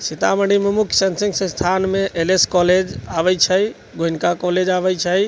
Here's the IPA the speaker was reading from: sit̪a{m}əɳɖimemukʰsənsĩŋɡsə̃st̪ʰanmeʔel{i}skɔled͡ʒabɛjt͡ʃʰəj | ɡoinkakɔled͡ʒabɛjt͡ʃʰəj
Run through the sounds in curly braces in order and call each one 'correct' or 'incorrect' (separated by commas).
correct, incorrect